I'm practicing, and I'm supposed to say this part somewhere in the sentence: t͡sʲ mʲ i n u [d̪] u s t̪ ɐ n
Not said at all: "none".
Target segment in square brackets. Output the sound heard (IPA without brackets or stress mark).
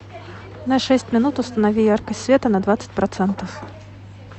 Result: t̪